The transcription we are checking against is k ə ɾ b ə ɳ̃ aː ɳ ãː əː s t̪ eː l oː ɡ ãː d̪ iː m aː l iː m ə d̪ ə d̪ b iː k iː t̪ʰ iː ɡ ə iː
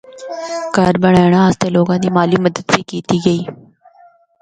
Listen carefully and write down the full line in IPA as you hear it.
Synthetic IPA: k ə ɾ b ə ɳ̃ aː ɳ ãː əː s t̪ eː l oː ɡ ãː d̪ iː m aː l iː m ə d̪ ə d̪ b iː k iː t̪ iː ɡ ə iː